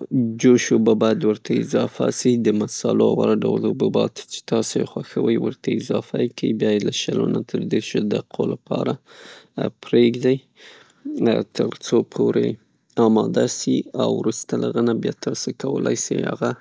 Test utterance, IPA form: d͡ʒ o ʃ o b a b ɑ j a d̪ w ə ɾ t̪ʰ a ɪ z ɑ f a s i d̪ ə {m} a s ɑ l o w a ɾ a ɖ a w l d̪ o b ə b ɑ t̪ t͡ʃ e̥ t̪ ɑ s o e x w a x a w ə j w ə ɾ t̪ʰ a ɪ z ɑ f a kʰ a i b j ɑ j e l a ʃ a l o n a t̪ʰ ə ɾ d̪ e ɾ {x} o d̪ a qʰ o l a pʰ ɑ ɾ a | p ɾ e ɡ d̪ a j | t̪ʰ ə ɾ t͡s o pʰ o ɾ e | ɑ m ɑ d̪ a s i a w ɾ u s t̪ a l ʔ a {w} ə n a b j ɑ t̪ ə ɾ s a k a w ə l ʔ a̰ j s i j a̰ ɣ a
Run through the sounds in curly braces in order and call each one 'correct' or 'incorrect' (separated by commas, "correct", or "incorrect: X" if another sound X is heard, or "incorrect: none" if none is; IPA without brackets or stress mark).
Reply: correct, incorrect: ʃ, incorrect: ɣ